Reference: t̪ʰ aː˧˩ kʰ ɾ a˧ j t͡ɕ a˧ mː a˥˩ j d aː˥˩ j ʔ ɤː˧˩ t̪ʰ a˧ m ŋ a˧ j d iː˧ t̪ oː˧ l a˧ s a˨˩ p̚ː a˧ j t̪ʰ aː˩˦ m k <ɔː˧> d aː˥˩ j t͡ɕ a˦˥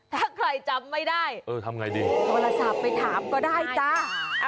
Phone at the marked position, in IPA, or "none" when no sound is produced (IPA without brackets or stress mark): ɔː˥˩